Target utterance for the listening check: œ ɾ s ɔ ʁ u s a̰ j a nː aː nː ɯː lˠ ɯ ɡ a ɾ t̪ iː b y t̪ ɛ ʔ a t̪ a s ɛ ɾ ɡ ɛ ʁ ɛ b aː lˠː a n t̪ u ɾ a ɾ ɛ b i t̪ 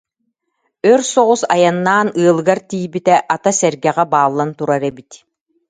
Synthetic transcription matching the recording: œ ɾ s ɔ ʁ u s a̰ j a nː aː n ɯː lˠ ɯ ɡ a ɾ t̪ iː b i t̪ ɛ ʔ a t̪ a s ɛ ɾ ɡ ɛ ʁ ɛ b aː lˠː a n t̪ u ɾ a ɾ ɛ b i t̪